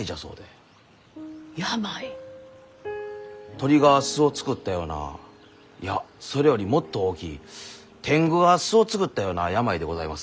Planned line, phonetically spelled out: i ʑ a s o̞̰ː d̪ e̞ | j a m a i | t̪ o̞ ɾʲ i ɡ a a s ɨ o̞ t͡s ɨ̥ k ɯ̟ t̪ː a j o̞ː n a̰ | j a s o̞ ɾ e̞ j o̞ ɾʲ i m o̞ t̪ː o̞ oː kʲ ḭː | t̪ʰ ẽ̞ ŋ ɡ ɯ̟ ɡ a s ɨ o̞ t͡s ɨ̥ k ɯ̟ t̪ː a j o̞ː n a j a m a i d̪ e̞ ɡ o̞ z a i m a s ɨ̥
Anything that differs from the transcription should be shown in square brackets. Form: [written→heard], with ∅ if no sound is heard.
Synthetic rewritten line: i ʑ a s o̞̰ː d̪ e̞ | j a m a i | t̪ o̞ ɾʲ i ɡ a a s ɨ o̞ t͡s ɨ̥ k ɯ̟ t̪ː a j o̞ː n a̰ | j a s o̞ ɾ e̞ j o̞ ɾʲ i m o̞ t̪ː o̞ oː kʲ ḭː | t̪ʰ ẽ̞ ŋ ɡ ɯ̟ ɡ a s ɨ o̞ t͡s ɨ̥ k ɯ̟ t̪ː a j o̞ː n a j a m a i d̪ e̞ ɡ o̞ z a i m a s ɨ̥